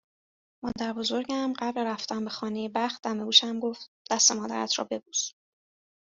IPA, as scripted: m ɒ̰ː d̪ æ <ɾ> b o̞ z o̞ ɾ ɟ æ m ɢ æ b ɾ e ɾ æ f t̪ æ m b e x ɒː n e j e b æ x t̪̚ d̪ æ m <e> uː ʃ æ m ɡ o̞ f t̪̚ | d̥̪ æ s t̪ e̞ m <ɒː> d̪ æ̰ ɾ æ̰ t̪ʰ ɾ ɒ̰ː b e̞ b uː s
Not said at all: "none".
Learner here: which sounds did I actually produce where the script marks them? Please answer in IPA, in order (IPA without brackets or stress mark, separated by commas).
ɾ, e, ɒː